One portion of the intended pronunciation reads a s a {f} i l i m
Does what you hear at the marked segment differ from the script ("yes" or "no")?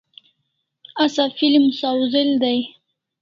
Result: no